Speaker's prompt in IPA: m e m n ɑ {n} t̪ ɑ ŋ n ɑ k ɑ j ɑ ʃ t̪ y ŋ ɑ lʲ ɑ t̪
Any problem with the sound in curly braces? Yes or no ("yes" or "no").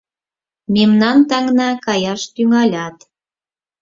no